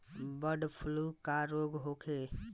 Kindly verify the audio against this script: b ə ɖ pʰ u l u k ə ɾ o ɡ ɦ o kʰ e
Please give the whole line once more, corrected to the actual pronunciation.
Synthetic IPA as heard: b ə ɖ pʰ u l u k a ɾ o ɡ ɦ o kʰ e